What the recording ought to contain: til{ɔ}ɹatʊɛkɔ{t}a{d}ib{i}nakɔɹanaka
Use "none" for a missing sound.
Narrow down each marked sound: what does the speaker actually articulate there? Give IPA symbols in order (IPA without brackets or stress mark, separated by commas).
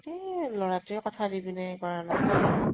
ɔ, tʰ, d, i